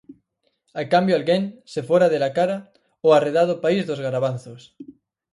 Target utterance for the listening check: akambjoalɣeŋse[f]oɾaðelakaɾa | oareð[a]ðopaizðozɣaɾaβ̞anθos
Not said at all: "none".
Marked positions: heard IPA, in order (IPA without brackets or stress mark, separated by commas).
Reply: f, a